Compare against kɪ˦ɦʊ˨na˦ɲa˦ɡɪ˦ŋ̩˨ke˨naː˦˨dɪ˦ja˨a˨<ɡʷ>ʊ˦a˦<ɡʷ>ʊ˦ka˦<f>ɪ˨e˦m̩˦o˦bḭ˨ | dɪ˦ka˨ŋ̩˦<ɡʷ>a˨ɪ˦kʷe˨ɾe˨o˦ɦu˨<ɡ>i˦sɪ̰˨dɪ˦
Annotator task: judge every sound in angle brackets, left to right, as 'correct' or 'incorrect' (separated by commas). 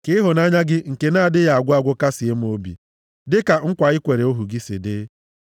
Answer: correct, correct, incorrect, incorrect, correct